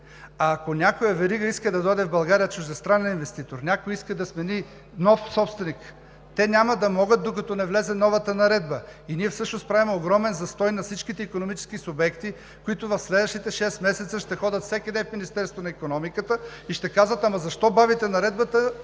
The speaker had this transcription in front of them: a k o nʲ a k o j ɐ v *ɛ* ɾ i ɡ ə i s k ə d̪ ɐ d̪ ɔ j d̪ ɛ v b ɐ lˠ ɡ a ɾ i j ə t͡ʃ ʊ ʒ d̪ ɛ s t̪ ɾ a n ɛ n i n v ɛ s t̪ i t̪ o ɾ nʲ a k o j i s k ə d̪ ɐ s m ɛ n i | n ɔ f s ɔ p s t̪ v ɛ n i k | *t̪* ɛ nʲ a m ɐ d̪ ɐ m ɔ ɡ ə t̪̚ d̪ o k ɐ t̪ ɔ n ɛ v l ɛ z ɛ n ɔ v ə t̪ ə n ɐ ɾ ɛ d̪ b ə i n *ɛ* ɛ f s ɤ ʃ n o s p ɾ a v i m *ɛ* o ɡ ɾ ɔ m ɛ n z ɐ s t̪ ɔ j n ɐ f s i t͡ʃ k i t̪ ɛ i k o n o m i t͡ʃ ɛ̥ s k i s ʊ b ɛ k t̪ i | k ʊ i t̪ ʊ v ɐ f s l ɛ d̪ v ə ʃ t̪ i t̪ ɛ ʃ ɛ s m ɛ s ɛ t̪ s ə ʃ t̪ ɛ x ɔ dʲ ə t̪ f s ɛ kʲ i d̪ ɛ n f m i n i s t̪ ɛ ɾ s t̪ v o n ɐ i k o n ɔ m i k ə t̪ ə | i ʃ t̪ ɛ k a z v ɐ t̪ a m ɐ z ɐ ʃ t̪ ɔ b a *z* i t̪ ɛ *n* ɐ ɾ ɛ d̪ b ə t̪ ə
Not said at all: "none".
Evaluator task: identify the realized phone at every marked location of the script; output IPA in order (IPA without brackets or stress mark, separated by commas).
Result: ɛ, t̪, i, ɛ, v, n